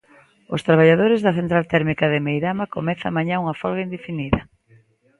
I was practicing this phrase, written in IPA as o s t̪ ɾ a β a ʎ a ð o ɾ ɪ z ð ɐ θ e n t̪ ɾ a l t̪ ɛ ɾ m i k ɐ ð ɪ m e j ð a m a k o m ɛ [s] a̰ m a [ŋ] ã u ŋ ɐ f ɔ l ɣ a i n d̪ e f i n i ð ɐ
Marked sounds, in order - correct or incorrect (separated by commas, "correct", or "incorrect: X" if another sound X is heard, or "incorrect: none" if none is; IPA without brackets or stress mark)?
incorrect: θ, incorrect: ɲ